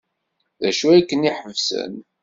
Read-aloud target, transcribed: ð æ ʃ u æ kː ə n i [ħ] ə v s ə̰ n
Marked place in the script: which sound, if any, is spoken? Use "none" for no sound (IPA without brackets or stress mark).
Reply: ħ